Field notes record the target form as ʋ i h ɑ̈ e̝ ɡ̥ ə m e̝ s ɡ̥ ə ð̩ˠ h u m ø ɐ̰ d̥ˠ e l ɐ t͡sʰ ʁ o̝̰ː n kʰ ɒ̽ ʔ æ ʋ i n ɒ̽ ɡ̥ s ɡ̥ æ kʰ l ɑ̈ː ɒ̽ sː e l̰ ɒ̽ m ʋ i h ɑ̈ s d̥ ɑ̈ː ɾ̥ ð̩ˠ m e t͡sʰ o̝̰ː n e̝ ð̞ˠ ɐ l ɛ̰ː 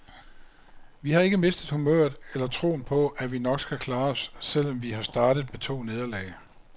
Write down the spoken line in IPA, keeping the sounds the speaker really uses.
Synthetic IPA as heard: ʋ i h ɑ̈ e̝ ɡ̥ ə m e̝ s d̥ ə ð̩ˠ h u m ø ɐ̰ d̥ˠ e l ɐ t͡sʰ ʁ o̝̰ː n pʰ ɒ̽ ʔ æ ʋ i n ɒ̽ ɡ̥ s ɡ̥ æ kʰ l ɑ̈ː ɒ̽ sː e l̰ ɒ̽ m ʋ i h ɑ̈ s d̥ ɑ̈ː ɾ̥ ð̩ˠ m e t͡sʰ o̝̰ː n e̝ ð̞ˠ ɐ l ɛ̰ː